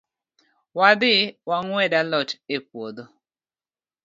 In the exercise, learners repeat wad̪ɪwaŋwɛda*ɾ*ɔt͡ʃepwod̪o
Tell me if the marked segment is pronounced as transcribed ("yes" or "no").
no